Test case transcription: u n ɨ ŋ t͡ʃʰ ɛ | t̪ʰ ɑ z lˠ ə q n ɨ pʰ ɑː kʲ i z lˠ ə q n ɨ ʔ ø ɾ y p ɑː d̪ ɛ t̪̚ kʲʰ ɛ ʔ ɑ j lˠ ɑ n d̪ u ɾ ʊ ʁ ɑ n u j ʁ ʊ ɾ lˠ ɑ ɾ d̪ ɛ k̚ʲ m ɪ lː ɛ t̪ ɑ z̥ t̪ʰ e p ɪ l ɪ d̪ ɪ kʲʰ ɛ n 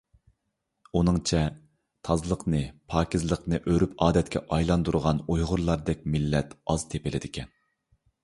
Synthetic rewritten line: u n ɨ ŋ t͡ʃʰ ɛ | t̪ʰ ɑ z lˠ ə q n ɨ pʰ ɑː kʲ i z lˠ ə q n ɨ ʔ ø ɾ y p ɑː d̪ ɛ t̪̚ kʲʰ ɛ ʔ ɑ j lˠ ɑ n d̪ u ɾ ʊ ʁ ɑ n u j ʁ ʊ ɾ lˠ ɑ ɾ d̪ ɛ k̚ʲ m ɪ lː ɛ t̪ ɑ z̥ t̪ʰ e p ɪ l ɪ d̪ ɪ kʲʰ ɛ n